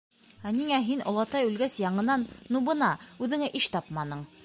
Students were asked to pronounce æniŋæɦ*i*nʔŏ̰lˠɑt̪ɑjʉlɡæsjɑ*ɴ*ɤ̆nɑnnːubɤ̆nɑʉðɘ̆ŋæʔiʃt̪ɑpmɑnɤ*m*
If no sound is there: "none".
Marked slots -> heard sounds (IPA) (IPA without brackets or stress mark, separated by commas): i, ɴ, ɴ